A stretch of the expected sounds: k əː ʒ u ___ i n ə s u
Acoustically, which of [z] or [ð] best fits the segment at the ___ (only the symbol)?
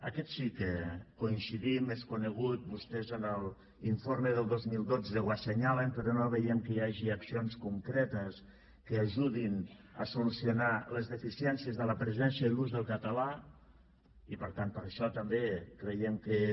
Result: ð